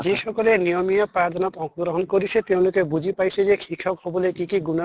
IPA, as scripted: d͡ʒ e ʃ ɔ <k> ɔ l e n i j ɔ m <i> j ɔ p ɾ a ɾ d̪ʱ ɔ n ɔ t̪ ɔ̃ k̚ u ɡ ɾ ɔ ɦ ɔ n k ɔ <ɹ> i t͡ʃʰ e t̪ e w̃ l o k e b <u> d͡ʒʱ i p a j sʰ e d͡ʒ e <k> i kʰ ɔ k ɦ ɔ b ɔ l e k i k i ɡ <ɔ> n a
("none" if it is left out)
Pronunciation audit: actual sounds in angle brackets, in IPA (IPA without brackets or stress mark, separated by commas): k, i, ɾ, u, kʰ, u